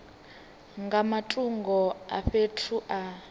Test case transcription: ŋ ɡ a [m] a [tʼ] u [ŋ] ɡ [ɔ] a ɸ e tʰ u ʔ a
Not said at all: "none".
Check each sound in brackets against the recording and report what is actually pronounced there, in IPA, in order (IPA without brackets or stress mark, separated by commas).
m, tʼ, ŋ, ɔ